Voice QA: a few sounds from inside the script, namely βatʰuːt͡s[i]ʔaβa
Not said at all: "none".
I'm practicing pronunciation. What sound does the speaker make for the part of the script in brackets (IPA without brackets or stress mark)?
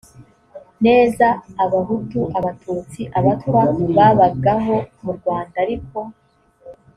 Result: i